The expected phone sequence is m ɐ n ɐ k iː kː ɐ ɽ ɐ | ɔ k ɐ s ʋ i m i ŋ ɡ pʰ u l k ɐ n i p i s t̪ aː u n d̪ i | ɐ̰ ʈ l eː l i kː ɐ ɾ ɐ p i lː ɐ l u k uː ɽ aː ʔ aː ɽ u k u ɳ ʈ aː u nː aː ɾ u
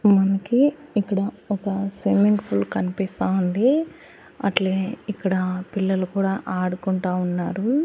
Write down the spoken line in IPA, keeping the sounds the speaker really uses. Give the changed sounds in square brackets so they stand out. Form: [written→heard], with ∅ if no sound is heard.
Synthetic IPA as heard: m ɐ n ɐ k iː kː ɐ ɽ ɐ | ɔ k ɐ s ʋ i m i ŋ ɡ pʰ u l k ɐ n i p i s t̪ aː u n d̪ i | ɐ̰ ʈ l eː [l→∅] i kː ɐ [ɾ→ɽ] ɐ p i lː ɐ l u k uː ɽ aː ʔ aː ɽ u k u ɳ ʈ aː u nː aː ɾ u